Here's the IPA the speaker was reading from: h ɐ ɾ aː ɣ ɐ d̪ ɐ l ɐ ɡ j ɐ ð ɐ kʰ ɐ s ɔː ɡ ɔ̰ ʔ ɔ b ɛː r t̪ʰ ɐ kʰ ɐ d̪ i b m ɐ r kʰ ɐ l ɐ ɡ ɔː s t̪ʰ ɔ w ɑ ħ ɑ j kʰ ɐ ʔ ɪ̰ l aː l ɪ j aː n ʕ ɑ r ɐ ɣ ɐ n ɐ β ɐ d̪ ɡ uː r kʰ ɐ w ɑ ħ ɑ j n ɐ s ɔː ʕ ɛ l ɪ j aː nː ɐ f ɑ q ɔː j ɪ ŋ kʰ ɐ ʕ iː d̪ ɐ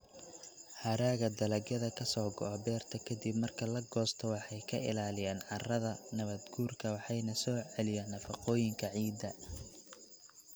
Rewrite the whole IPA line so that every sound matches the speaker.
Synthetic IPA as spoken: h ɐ ɾ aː ɣ ɐ d̪ ɐ l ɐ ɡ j ɐ ð ɐ kʰ ɐ s ɔː ɡ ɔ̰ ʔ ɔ b ɛː r t̪ʰ ɐ kʰ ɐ d̪ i b m ɐ r kʰ ɐ l ɐ ɡ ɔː s t̪ʰ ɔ w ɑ ħ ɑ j kʰ ɐ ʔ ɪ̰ l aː l ɪ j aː n ʕ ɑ r ɐ ð ɐ n ɐ β ɐ d̪ ɡ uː r kʰ ɐ w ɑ ħ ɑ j n ɐ s ɔː ʕ ɛ l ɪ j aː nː ɐ f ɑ q ɔː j ɪ ŋ kʰ ɐ ʕ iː d̪ ɐ

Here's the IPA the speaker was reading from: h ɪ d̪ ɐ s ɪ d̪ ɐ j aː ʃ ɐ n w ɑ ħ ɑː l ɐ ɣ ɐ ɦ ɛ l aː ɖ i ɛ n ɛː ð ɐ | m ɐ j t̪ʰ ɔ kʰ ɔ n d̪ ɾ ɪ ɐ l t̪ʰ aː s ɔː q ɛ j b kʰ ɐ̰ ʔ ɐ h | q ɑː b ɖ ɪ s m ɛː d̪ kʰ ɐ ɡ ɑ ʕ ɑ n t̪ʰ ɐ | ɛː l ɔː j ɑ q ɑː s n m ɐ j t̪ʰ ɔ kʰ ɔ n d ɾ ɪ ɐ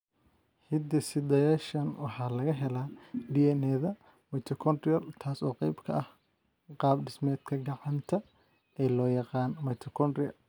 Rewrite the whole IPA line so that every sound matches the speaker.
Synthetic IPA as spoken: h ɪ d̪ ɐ s ɪ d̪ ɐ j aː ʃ ɐ n w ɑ ħ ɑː l ɐ ɣ ɐ ɦ ɛ l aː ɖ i ɛ n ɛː ð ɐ | m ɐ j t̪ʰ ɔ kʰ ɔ n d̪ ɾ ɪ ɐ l t̪ʰ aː s ɔː q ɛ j b kʰ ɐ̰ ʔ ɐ h | q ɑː b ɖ ɪ s m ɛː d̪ kʰ ɐ ɡ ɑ ʕ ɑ n t̪ʰ ɐ | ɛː l ɔː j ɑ q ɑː n m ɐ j t̪ʰ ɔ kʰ ɔ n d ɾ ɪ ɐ

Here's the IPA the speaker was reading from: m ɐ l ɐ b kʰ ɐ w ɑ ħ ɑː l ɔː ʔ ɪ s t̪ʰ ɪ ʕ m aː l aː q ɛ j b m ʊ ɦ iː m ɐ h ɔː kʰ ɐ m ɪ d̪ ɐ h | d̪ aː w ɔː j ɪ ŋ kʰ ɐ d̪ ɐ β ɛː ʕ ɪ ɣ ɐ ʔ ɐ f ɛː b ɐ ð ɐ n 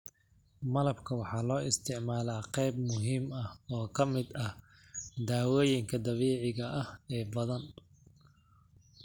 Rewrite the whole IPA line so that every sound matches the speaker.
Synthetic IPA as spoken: m ɐ l ɐ b kʰ ɐ w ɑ ħ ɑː l ɔː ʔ ɪ s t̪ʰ ɪ ʕ m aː l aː q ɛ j b m ʊ ɦ iː m ɐ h ɔː kʰ ɐ m ɪ d̪ ɐ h | d̪ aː w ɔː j ɪ ŋ kʰ ɐ d̪ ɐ β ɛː ʕ ɪ ɣ ɐ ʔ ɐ h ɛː b ɐ ð ɐ n

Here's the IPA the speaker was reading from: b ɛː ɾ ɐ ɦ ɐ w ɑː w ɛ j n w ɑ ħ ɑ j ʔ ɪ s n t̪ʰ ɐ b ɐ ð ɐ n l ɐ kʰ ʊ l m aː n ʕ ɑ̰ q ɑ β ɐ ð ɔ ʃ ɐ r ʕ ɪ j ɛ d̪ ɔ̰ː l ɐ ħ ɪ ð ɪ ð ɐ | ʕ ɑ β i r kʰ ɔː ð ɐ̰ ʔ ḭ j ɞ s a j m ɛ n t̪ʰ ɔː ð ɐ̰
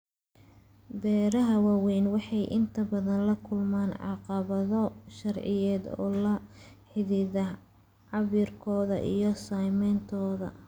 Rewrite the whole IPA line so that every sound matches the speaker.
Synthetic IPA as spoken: b ɛː ɾ ɐ ɦ ɐ w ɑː w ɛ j n w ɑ ħ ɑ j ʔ ɪ n t̪ʰ ɐ b ɐ ð ɐ n l ɐ kʰ ʊ l m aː n ʕ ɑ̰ q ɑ β ɐ ð ɔ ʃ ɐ r ʕ ɪ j ɛː d̪ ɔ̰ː l ɐ ħ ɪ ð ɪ ð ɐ | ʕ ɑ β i r kʰ ɔː ð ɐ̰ ʔ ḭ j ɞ s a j m ɛ n t̪ʰ ɔː ð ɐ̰

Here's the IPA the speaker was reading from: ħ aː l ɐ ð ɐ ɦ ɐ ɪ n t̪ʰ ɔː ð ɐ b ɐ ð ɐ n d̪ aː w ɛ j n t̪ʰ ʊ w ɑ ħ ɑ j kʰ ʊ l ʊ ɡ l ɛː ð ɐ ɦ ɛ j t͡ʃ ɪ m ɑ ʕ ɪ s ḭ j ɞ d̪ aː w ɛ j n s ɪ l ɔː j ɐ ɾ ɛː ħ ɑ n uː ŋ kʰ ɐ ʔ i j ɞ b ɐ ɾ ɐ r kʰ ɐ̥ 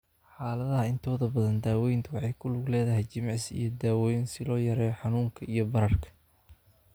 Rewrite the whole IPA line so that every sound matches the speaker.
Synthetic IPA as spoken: ħ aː l ɐ ð ɐ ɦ ɐ ɪ n t̪ʰ ɔː ð ɐ b ɐ ð ɐ n d̪ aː w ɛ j n t̪ʰ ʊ w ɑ ħ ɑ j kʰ ʊ l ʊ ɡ l ɛː ð ɐ ɦ ɛ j t͡ʃ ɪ m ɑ ʕ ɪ s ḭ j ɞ d̪ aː w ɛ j n s ɪ l ɔː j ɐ ɾ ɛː ħ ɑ n uː ŋ kʰ ɐ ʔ i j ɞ b ɐ ɾ ɐ r kʰ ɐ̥

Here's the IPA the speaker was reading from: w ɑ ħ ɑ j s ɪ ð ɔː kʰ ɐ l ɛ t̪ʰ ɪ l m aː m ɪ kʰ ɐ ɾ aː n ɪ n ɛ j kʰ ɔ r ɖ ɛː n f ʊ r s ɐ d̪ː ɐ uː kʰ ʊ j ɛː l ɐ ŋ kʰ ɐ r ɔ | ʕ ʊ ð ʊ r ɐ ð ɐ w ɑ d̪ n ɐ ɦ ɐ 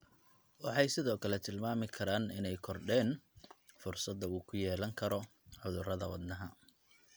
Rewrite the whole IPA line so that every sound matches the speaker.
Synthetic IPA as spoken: w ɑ ħ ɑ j s ɪ ð ɔː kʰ ɐ l ɛ t̪ʰ ɪ l m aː m ɪ kʰ ɐ ɾ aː n ɪ n ɛ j kʰ ɔ r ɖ ɛː n f ʊ r s ɐ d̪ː ɐ uː kʰ ʊ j ɛː l ɐ ŋ kʰ ɐ ɾ ɔ | ʕ ʊ ð ʊ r ɐ ð ɐ w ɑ d̪ n ɐ ɦ ɐ

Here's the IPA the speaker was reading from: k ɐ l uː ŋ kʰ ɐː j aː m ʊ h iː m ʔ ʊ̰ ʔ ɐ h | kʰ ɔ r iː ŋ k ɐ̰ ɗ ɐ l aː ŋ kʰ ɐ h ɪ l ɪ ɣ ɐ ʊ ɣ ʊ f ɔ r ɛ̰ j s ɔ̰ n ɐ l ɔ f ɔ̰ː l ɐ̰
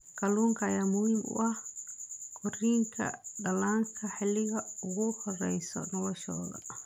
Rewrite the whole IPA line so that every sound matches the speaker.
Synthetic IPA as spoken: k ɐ l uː ŋ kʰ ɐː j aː m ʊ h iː m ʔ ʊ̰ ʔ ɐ h | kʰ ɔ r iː ŋ kʰ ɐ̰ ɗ ɐ l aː ŋ kʰ ɐ ħ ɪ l ɪ ɣ ɐ ʊ ɣ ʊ h ɔ r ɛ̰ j s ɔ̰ n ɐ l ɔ ʃ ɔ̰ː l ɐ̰

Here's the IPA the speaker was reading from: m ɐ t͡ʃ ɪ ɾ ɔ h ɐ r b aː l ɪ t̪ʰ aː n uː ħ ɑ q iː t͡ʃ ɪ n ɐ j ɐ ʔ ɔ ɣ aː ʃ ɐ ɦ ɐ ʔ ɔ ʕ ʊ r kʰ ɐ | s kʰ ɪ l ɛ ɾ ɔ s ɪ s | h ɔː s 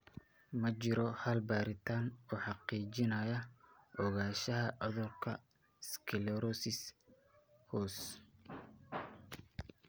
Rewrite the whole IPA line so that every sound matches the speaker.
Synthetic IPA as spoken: m ɐ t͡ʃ ɪ ɾ ɔ h ɐ l b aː ɾ ɪ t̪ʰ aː n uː ħ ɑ q iː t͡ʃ ɪ n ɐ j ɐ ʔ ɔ ɣ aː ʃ ɐ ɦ ɐ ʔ ɔ ð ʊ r kʰ ɐ | s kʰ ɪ l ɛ ɾ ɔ s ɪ s | h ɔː s

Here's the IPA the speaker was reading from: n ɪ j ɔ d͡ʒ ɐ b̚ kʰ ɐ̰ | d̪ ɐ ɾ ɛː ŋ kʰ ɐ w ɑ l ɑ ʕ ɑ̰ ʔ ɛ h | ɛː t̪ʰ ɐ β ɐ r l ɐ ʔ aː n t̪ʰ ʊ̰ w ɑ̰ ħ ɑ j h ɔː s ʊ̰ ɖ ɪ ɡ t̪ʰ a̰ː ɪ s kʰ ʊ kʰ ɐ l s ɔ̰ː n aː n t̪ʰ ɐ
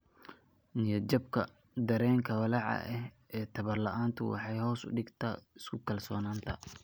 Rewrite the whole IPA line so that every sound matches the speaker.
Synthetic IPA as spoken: n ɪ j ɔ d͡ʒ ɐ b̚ kʰ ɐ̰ | d̪ ɐ ɾ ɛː ŋ kʰ ɐ w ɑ l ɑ ʕ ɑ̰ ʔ ɛ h | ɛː t̪ʰ ɐ β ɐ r l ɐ ʔ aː n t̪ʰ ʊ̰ w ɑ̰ ħ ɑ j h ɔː s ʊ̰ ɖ ɪ ɡ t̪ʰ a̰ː ɪ s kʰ ʊ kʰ ɐ l s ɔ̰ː n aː n t̪ʰ ɐ

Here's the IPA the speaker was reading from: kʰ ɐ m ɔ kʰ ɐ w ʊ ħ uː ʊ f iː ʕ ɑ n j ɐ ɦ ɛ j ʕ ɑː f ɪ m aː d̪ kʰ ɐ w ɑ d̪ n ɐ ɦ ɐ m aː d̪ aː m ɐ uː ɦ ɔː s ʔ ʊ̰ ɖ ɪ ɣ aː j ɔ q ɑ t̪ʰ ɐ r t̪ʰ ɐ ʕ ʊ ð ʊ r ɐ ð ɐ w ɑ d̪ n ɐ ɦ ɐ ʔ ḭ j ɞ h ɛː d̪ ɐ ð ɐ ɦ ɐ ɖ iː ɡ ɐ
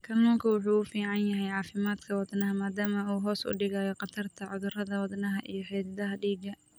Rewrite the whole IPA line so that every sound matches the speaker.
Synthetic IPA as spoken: kʰ ɐ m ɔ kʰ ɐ w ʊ ħ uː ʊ f iː ʕ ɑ n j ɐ ɦ ɛ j ʕ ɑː f ɪ m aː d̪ kʰ ɐ w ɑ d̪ n ɐ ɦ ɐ m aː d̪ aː m ɐ uː ɦ ɔː s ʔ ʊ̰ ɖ ɪ ɣ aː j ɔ q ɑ t̪ʰ ɐ r t̪ʰ ɐ ʕ ʊ ð ʊ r ɐ ð ɐ w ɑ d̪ n ɐ ɦ ɐ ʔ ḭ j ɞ ħ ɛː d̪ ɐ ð ɐ ɦ ɐ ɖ iː ɡ ɐ

